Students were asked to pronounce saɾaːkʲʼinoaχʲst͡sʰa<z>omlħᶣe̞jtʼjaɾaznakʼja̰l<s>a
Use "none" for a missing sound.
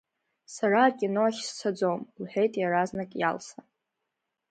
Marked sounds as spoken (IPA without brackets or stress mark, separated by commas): d͡z, s